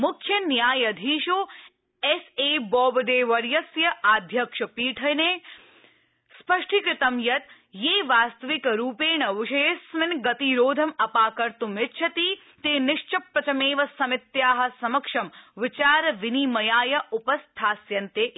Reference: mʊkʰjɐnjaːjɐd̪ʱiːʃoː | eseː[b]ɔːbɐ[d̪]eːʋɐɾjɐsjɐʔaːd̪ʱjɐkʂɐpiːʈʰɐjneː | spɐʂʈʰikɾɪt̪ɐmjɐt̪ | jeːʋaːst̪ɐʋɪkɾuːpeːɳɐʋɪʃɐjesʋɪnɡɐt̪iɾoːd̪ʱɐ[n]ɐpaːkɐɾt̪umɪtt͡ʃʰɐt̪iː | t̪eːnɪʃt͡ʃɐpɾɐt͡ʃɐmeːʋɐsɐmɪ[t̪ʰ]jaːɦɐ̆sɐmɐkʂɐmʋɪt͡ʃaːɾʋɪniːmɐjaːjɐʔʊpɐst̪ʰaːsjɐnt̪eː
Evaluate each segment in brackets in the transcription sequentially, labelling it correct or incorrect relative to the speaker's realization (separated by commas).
correct, correct, incorrect, incorrect